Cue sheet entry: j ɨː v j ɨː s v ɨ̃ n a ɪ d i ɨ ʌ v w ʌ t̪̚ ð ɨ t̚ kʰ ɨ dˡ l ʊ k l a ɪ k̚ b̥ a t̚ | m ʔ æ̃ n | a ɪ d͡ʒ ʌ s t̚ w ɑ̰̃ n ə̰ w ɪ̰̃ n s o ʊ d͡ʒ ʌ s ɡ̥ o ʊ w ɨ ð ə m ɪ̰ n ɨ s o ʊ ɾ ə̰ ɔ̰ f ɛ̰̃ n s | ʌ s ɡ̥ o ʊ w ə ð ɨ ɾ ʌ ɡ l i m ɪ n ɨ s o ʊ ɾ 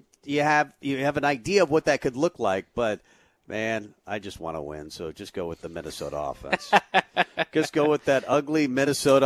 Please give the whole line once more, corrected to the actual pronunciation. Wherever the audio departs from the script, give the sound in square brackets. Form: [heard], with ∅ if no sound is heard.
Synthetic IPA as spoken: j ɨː v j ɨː [∅] v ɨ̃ n a ɪ d i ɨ ʌ v w ʌ t̪̚ ð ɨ t̚ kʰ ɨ dˡ l ʊ k l a ɪ k̚ b̥ [ʌ] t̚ | m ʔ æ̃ n | a ɪ d͡ʒ ʌ s t̚ w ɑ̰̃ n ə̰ w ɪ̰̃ n s o ʊ d͡ʒ ʌ s ɡ̥ o ʊ w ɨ ð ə m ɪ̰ n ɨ s o ʊ ɾ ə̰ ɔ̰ f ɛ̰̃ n s | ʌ s ɡ̥ o ʊ w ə ð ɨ ɾ ʌ ɡ l i m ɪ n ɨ s o ʊ ɾ